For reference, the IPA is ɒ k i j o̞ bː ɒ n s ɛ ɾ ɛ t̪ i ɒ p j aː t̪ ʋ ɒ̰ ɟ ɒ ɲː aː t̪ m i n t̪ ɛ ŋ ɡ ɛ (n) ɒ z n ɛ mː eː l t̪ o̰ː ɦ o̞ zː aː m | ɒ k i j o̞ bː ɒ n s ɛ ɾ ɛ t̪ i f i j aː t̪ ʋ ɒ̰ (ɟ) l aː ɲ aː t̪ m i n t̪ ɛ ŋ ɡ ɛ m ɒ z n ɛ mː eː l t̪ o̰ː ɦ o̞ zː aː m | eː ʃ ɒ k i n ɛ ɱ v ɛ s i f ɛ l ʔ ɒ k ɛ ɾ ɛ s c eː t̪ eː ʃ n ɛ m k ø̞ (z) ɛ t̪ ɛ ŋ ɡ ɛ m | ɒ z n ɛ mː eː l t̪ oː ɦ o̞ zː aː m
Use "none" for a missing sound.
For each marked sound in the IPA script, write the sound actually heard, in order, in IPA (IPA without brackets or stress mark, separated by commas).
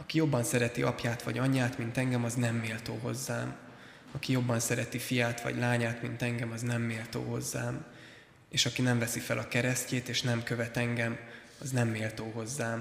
m, ɟ, v